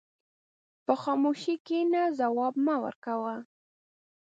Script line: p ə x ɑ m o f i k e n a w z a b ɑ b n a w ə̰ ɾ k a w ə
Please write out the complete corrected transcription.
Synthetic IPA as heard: p ə x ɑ m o ʃ i k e n a z a w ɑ b m a w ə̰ ɾ k a w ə